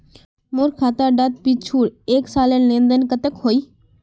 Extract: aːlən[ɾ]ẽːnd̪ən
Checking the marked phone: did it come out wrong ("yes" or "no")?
yes